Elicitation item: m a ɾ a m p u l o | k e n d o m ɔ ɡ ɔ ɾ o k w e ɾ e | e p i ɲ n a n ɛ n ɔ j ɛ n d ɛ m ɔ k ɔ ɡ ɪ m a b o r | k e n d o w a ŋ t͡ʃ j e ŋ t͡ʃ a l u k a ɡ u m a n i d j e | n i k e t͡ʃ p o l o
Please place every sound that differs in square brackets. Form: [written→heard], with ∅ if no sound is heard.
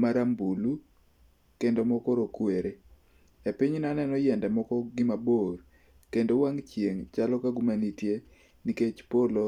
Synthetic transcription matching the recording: m a ɾ a m [p→b] u l [o→u] | k e n d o m ɔ [ɡ→k] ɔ ɾ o k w e ɾ e | e p i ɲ n a n ɛ n ɔ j ɛ n d ɛ m ɔ k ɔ ɡ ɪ m a b o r | k e n d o w a ŋ t͡ʃ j e ŋ t͡ʃ a l [u→ɔ] k a ɡ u m a n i [d→t] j e | n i k e t͡ʃ p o l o